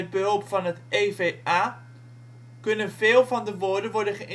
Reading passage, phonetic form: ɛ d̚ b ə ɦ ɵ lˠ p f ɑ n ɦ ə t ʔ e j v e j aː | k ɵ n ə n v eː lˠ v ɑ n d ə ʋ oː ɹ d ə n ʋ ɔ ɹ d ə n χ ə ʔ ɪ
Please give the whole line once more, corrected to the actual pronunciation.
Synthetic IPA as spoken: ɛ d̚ b ə ɦ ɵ lˠ p f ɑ n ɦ ə t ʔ e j v e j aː | k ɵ n ə n v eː lˠ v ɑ n d ə ʋ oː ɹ d ə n ʋ ɔ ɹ d ə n χ ə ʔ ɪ